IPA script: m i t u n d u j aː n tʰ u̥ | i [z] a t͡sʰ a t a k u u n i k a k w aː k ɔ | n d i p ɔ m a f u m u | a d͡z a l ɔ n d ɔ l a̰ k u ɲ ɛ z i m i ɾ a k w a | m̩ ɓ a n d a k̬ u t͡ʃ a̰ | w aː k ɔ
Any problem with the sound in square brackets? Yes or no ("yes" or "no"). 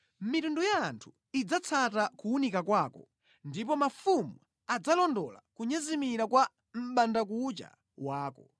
yes